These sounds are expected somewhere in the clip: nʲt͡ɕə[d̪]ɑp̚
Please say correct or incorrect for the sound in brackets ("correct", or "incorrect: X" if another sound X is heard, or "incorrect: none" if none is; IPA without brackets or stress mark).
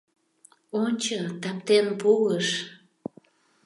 incorrect: t̪